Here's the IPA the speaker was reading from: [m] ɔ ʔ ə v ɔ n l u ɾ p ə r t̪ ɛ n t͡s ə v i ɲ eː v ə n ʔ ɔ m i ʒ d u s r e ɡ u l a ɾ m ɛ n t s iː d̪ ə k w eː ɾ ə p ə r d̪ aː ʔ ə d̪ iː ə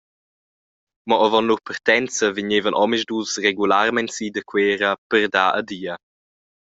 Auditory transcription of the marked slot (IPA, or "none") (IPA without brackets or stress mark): m